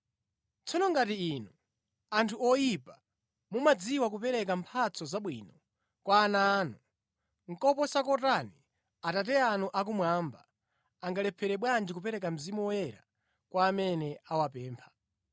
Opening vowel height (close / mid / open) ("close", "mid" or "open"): mid